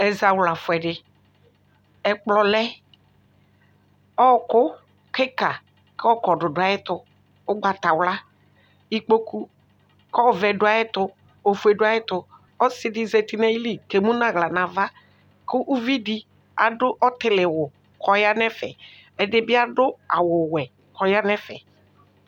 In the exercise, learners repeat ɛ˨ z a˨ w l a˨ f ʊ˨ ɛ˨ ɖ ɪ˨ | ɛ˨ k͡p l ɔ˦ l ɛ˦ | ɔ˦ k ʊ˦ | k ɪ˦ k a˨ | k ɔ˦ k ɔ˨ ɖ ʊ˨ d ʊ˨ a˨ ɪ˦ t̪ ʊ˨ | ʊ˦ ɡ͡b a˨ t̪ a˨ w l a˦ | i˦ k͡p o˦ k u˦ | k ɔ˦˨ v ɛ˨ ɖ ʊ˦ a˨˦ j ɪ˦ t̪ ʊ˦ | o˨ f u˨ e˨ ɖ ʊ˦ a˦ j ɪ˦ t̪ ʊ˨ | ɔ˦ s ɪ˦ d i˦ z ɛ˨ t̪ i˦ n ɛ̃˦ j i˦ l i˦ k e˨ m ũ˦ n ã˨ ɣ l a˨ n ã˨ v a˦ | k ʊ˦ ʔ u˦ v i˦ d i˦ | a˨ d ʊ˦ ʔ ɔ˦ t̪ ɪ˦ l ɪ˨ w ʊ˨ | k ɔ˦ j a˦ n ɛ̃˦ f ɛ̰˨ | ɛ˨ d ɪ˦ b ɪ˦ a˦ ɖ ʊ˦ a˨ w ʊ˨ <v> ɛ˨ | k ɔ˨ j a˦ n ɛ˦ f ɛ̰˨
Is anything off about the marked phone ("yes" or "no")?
yes